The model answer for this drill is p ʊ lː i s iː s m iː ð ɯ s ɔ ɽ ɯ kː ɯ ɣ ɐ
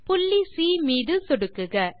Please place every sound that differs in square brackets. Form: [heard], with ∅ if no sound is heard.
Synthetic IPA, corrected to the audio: p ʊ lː i s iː [∅] m iː ð ɯ s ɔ ɽ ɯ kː ɯ ɣ ɐ